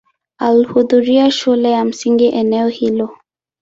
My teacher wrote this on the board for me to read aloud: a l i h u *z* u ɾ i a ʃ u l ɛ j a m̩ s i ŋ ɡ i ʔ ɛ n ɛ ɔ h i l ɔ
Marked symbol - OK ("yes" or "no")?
no